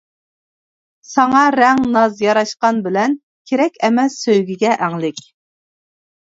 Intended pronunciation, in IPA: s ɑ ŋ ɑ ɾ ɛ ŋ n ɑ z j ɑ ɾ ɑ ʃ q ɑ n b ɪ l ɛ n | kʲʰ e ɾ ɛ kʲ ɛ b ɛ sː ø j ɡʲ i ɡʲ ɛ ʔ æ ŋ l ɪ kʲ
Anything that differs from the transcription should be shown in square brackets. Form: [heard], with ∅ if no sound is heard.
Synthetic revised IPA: s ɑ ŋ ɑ ɾ ɛ ŋ n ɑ z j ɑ ɾ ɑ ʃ q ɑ n b ɪ l ɛ n | kʲʰ e ɾ ɛ kʲ ɛ [m] ɛ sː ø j ɡʲ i ɡʲ ɛ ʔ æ ŋ l ɪ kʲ